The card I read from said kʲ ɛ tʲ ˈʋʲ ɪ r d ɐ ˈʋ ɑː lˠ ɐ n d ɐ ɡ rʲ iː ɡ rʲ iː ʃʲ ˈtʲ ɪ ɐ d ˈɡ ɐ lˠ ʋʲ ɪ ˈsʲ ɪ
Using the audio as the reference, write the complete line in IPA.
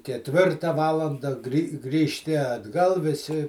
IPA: kʲ ɛ tʲ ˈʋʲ ɪ r t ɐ ˈʋ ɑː lˠ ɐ n d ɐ ɡ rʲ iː ɡ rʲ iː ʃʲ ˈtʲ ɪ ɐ d ˈɡ ɐ lˠ ʋʲ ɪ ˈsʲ ɪ